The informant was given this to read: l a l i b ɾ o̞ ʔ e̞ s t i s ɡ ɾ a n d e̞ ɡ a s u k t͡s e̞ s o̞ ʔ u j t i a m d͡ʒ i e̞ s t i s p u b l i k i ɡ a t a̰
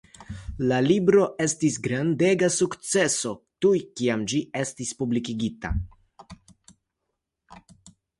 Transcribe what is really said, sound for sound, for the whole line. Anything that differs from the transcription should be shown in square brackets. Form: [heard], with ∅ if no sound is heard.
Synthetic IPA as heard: l a l i b ɾ o̞ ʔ e̞ s t i s ɡ ɾ a n d e̞ ɡ a s u k t͡s e̞ s o̞ [t] u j [k] i a m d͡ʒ i e̞ s t i s p u b l i k i ɡ [i] t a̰